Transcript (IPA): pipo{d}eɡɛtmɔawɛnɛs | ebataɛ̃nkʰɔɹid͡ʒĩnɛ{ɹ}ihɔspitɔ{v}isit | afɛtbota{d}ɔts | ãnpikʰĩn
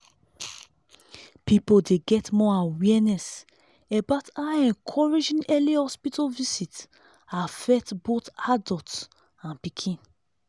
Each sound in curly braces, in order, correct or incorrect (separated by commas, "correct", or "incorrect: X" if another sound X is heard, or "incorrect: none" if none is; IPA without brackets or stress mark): correct, incorrect: l, correct, correct